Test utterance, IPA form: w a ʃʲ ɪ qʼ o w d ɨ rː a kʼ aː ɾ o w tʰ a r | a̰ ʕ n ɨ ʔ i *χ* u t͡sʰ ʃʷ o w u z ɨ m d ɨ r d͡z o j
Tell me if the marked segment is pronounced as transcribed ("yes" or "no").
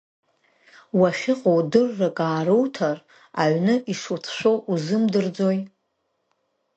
no